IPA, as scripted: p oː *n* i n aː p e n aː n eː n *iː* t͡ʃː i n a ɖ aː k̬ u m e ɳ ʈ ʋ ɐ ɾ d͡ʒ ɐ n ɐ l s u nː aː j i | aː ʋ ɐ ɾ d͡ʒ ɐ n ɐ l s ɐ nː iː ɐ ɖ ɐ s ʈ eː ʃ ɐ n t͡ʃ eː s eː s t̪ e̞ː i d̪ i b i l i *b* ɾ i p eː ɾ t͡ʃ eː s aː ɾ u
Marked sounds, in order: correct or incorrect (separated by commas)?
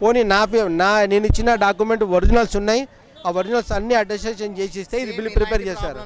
correct, incorrect, incorrect